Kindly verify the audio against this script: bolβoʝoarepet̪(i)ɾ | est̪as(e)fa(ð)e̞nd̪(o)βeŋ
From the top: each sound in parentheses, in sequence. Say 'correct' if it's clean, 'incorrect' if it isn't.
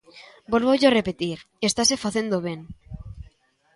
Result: correct, correct, incorrect, correct

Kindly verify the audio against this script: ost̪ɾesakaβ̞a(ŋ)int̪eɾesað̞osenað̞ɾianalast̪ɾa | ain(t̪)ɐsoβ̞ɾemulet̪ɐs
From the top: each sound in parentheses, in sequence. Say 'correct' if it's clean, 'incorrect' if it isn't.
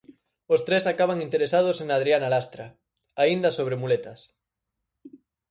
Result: correct, incorrect

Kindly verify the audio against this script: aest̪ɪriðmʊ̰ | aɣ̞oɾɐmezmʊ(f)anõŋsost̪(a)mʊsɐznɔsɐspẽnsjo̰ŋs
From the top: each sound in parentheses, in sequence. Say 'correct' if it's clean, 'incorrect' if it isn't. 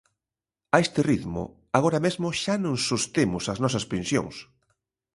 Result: incorrect, incorrect

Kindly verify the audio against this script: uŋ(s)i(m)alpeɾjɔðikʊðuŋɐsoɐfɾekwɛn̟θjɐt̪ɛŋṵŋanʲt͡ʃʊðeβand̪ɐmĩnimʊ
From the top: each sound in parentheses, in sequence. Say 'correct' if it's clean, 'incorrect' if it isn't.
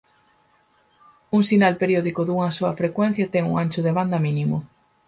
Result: correct, incorrect

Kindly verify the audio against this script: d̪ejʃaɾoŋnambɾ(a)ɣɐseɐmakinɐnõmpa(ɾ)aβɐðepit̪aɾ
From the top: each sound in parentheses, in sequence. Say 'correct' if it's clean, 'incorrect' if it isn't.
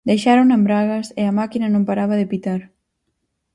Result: correct, correct

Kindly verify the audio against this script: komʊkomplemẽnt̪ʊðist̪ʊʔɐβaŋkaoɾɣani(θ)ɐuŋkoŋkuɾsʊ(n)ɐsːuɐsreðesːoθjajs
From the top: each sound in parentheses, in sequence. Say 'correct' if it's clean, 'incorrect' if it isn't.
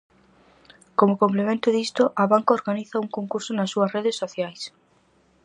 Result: correct, correct

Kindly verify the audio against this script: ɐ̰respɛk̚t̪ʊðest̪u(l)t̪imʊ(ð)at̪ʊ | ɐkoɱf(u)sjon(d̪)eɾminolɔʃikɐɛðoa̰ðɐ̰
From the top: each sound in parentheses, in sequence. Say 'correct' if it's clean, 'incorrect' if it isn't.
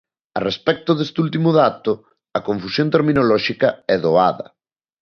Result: correct, correct, correct, incorrect

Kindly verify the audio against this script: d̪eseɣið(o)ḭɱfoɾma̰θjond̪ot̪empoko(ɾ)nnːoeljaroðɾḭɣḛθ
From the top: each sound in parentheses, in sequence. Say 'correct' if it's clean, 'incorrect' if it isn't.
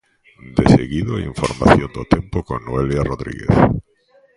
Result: correct, incorrect

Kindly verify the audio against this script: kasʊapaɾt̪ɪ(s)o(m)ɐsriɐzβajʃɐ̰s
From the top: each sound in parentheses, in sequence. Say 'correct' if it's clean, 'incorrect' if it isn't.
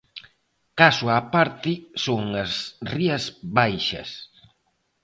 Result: correct, incorrect

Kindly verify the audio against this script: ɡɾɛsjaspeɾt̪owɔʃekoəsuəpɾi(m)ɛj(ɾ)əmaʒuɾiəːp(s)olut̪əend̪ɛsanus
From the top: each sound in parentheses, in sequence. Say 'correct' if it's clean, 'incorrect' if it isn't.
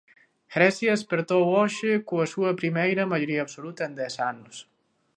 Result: correct, correct, correct

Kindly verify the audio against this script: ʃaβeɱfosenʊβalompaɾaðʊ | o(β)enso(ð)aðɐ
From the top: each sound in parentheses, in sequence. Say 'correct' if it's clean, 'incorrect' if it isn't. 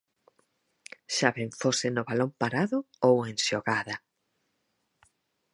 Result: incorrect, incorrect

